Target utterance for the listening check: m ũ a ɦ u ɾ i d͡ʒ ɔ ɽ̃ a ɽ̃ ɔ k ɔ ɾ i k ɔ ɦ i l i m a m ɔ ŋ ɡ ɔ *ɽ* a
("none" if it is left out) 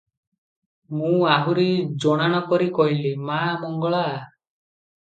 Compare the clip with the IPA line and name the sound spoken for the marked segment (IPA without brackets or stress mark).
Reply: ɭ